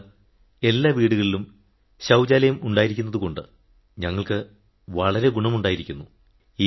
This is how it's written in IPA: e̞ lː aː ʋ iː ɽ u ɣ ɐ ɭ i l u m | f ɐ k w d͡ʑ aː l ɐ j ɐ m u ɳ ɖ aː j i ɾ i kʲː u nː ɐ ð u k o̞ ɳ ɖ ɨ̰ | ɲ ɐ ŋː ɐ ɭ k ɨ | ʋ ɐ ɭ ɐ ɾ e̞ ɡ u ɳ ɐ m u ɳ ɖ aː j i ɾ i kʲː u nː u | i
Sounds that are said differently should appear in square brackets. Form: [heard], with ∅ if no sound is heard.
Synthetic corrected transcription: e̞ lː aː ʋ iː ɽ u ɣ ɐ ɭ i l u m | [ɕ] ɐ [∅] w d͡ʑ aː l ɐ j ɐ m u ɳ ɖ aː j i ɾ i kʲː u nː ɐ ð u k o̞ ɳ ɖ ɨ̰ | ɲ ɐ ŋː ɐ ɭ k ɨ | ʋ ɐ ɭ ɐ ɾ e̞ ɡ u ɳ ɐ m u ɳ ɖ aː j i ɾ i kʲː u nː u | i